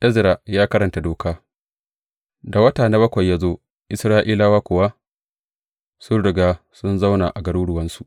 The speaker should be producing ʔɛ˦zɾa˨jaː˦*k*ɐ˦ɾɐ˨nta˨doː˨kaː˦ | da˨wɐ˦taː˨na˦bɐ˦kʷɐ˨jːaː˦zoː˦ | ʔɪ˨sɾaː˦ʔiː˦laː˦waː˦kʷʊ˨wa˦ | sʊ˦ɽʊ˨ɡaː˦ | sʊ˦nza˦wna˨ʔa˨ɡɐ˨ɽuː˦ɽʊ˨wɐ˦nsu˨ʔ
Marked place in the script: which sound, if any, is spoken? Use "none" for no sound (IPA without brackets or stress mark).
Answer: k